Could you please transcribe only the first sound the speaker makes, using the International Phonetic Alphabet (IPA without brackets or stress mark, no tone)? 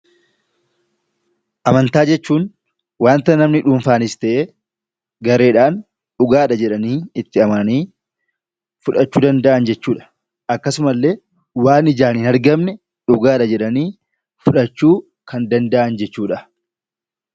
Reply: ʔ